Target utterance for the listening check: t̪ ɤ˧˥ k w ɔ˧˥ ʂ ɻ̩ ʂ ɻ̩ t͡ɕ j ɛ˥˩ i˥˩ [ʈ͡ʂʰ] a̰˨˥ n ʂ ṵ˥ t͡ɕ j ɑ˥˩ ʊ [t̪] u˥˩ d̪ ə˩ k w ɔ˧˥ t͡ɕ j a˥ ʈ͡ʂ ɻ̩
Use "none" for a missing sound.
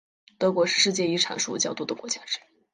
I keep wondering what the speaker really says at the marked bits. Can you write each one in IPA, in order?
ʈ͡ʂʰ, t̪

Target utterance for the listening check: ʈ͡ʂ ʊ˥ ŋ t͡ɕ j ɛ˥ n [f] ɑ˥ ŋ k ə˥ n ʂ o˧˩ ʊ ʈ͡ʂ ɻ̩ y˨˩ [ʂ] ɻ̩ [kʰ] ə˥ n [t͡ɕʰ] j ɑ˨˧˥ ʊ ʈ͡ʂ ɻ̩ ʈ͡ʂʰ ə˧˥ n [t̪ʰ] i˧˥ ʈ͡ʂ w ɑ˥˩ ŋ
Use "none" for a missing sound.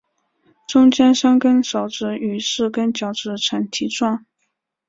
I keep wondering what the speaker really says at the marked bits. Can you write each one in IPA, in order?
ʂ, ʂ, k, t͡ɕ, t̪ʰ

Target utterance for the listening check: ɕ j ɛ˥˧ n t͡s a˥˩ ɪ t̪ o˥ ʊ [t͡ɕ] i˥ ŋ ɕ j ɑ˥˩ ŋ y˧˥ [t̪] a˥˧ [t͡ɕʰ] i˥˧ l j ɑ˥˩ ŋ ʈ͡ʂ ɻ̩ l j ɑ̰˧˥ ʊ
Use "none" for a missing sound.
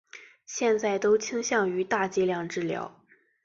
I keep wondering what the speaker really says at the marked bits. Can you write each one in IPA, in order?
t͡ɕʰ, t̪, t͡ɕ

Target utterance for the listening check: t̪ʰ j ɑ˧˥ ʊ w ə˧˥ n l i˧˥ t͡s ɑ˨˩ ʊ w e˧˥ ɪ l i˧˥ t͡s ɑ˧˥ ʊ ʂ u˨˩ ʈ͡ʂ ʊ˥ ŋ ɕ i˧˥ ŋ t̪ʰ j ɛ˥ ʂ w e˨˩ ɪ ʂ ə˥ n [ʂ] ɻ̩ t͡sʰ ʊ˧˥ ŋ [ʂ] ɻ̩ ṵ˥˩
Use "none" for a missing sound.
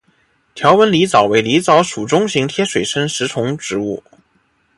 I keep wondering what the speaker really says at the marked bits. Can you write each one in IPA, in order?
ʂ, ʈ͡ʂ

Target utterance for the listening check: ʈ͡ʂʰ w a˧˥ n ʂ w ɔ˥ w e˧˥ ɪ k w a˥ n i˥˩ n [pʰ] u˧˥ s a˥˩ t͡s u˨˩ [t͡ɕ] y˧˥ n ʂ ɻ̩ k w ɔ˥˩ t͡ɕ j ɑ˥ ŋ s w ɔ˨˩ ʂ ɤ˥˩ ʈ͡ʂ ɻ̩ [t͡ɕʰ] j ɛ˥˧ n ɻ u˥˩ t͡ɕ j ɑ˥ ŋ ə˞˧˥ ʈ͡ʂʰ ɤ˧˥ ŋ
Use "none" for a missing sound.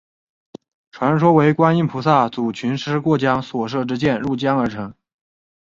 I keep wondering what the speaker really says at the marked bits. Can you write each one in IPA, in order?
pʰ, t͡ɕʰ, t͡ɕ

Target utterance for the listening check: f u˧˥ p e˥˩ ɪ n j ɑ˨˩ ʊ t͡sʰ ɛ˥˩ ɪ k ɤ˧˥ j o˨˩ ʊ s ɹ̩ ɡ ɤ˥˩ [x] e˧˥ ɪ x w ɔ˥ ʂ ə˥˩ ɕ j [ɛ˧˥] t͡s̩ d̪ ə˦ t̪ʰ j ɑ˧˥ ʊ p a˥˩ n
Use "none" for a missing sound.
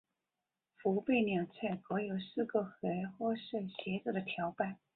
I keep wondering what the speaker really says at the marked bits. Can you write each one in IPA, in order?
x, ɛ˧˥

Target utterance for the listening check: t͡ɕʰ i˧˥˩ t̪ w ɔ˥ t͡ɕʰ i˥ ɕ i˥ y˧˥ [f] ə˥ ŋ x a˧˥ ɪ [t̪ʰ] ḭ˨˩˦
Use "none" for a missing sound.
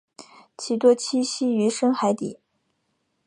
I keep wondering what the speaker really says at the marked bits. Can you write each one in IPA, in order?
ʂ, t̪

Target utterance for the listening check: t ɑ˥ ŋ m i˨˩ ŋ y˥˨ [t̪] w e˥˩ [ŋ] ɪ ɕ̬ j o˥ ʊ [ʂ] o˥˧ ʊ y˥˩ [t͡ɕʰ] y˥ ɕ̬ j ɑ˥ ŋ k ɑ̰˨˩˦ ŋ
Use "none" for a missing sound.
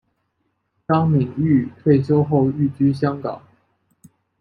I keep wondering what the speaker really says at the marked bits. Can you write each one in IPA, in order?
t̪ʰ, none, x, t͡ɕ

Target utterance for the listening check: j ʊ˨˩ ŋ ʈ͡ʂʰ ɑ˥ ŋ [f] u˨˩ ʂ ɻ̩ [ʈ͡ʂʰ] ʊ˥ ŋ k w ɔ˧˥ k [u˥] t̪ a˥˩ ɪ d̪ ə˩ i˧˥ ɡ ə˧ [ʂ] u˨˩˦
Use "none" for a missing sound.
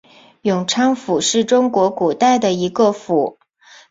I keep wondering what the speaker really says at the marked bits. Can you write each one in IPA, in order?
f, ʈ͡ʂ, u˨˩, f

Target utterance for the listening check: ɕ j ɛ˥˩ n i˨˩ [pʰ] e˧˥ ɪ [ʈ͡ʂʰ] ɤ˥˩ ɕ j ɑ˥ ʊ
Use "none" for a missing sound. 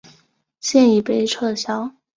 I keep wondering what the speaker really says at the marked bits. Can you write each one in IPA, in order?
p, ʈ͡ʂʰ

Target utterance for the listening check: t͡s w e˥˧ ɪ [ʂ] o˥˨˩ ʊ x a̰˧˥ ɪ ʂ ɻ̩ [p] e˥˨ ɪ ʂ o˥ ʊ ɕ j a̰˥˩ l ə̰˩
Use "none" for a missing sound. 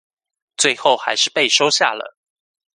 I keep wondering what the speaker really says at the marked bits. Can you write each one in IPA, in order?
x, p

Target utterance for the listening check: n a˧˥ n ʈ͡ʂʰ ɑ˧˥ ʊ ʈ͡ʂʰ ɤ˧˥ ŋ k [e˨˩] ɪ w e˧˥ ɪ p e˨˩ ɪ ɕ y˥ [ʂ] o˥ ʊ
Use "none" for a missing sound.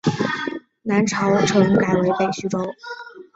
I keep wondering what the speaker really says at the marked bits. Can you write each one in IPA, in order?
a˨˩, ʈ͡ʂ

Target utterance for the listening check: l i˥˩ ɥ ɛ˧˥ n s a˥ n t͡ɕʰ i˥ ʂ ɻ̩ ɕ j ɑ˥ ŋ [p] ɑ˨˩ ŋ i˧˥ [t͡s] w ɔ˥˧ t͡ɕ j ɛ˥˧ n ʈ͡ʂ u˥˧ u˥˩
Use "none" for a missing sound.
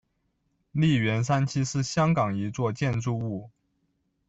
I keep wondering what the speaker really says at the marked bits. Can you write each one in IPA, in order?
k, t͡s

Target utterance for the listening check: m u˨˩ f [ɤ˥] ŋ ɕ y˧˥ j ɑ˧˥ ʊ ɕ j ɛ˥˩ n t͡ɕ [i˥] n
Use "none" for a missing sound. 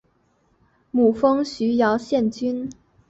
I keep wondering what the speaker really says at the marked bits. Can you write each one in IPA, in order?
ɤ˥, y˥

